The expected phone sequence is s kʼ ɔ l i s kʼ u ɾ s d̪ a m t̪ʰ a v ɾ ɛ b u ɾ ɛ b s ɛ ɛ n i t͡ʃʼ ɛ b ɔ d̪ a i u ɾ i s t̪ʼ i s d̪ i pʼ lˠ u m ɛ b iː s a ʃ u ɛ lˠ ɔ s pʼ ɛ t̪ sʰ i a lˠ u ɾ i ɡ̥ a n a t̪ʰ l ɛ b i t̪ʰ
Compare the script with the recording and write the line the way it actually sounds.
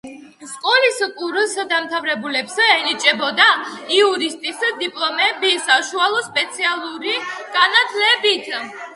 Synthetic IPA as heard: s kʼ ɔ l i s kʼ u ɾ s d̪ a m t̪ʰ a v ɾ ɛ b u l ɛ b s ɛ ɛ n i t͡ʃʼ ɛ b ɔ d̪ a i u ɾ i s t̪ʼ i s d̪ i pʼ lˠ ɔ m ɛ b i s a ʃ u a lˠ ɔ s pʼ ɛ t̪ sʰ i a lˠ u ɾ i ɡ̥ a n a t̪ʰ l ɛ b i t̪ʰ